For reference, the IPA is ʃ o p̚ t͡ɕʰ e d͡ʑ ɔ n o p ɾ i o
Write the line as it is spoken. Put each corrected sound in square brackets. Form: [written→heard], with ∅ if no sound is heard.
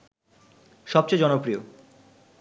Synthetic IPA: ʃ [o→ɔ] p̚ [t͡ɕʰ→t͡ɕ] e d͡ʑ ɔ n o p ɾ i o